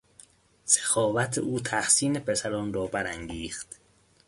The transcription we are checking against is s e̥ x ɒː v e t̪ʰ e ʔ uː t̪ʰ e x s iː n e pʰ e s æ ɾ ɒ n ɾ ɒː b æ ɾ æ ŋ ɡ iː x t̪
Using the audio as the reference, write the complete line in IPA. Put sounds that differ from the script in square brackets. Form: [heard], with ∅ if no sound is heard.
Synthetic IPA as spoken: s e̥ x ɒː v [æ] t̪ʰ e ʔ uː t̪ʰ [æ] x s iː n e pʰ e s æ ɾ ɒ n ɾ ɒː b æ ɾ æ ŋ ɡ iː x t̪